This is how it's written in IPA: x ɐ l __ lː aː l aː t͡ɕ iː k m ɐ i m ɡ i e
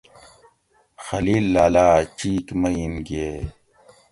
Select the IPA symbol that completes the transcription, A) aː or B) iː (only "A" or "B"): B